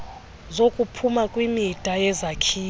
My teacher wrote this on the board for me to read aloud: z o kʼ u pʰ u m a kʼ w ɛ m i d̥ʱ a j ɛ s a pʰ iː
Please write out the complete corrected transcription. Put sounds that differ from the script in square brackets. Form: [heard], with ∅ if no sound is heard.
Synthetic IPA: z o kʼ u pʰ u m a kʼ w [i] m i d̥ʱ a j ɛ [z] a [kʰ] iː